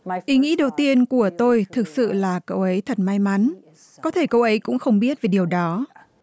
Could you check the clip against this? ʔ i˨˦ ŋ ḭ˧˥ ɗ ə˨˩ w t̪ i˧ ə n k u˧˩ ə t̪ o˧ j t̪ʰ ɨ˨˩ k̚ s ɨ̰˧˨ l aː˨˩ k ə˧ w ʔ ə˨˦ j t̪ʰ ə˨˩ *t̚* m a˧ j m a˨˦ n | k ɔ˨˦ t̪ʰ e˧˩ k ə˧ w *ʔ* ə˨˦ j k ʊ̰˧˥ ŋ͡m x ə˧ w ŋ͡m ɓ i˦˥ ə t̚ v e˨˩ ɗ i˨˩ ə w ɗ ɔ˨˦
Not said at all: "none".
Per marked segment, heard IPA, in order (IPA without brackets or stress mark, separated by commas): t̚, ʔ